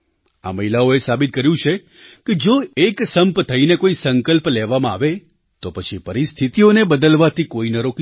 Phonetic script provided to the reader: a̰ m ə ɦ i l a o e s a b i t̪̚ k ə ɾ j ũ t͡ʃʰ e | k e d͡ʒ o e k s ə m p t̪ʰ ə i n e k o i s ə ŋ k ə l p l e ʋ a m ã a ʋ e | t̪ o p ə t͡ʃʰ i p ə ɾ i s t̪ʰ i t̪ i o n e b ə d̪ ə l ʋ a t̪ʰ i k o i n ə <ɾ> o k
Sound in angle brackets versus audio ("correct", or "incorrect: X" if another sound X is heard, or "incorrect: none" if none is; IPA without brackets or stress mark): correct